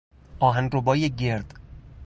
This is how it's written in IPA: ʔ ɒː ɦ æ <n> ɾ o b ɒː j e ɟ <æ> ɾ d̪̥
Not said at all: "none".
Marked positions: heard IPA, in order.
n, e

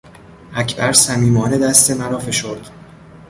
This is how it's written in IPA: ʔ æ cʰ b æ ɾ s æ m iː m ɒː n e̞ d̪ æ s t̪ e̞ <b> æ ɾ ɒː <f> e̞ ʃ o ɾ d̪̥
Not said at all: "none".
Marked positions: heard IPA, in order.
m, f

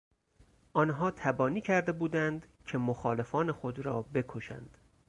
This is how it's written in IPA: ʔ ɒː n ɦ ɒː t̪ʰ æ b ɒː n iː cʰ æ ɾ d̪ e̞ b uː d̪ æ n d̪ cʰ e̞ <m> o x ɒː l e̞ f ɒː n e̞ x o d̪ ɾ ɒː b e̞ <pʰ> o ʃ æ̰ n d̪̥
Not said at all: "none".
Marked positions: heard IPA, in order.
m, kʰ

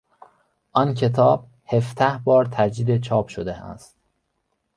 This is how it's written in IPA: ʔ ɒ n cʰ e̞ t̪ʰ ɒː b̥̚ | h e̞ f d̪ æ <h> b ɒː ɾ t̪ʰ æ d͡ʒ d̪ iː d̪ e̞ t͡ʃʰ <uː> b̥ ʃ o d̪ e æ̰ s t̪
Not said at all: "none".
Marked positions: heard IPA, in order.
h, ɒː

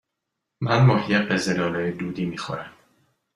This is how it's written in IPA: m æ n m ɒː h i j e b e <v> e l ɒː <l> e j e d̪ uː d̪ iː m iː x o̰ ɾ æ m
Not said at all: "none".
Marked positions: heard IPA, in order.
z, l

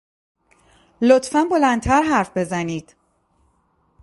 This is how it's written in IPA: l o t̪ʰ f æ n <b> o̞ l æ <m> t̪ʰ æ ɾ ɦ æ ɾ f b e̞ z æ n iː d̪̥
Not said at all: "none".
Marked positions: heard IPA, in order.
b, n

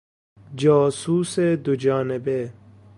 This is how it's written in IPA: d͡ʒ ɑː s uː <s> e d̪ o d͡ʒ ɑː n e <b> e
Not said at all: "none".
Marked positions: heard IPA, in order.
s, b

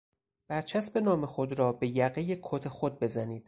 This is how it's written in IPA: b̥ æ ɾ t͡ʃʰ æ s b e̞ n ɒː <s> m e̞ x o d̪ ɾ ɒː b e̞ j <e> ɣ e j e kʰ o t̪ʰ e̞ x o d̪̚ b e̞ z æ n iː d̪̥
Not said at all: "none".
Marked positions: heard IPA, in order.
none, æ

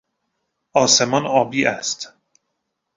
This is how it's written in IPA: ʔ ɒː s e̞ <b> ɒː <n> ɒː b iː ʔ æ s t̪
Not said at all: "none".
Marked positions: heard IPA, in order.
m, n

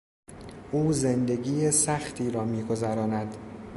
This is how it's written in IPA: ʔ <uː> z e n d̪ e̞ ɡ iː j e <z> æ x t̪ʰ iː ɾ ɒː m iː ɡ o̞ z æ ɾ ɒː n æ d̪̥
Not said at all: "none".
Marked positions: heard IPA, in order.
uː, s

